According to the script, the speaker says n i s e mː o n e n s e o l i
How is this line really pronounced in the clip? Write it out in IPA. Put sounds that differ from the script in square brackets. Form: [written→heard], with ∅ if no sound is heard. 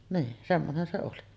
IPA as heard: n [i→iː] s e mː o n e n s e o l i

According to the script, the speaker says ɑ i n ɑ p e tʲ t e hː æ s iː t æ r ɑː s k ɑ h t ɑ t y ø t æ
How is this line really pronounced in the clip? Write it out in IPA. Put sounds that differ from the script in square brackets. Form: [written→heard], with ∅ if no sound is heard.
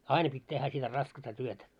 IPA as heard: ɑ i n ɑ p [e→i] tʲ t e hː æ s [iː→i] t æ r [ɑː→ɑ] s k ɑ [h→s] t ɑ t y ø t æ

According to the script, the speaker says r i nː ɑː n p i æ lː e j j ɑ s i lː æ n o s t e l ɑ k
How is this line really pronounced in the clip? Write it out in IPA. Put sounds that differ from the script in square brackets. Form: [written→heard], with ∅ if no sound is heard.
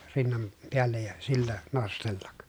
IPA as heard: r i nː [ɑː→ɑ] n p [i→e] æ lː e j j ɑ s i lː æ n o s t e [l→lː] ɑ k

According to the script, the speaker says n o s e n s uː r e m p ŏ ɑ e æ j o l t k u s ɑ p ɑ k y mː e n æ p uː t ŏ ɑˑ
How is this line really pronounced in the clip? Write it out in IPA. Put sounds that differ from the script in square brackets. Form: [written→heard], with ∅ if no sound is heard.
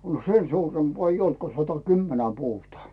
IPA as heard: n o s e n s uː r e m p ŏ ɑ e [æ→i] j o l t k [u→o] s ɑ [p→t] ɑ k y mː e n æ p uː t ŏ ɑˑ

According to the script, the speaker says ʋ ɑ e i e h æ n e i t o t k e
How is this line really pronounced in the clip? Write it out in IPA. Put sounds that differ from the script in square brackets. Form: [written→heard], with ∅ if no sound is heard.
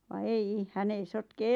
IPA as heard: ʋ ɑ e i [e→i] h æ n e i [t→s] o t k e

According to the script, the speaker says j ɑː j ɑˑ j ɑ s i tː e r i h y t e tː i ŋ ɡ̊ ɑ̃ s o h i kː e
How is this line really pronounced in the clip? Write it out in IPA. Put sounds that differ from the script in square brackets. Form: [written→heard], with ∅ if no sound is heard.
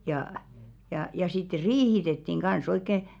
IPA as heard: j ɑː j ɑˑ j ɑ s i tː e r [i→iː] h [y→i] t e tː i ŋ ɡ̊ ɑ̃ s o [h→∅] i kː e

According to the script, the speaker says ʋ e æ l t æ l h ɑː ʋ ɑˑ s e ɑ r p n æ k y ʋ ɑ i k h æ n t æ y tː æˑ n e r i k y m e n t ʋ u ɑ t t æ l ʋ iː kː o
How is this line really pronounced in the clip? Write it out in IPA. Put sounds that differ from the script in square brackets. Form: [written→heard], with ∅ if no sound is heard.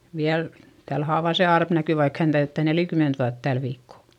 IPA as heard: ʋ [e→i] æ l t æ l h ɑː ʋ ɑˑ s e ɑ r p n æ k y ʋ ɑ i k h æ n t æ y tː æˑ n e [r→l] i k y m e n t ʋ u ɑ t t æ l ʋ iː kː o

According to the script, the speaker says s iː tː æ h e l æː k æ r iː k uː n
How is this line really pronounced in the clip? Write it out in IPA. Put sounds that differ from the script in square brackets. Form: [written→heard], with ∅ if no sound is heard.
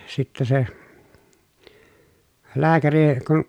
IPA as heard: s [iː→i] tː æ [h→s] e l æː k æ r [iː→i] k [uː→u] n

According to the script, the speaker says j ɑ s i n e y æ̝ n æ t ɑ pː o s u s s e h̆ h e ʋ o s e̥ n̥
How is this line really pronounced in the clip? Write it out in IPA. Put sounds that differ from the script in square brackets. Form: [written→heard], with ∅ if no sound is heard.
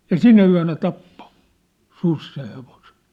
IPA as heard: j ɑ s i n [e→æ] y æ̝ n æ t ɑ pː o s u s s e h̆ h e ʋ o s e̥ n̥

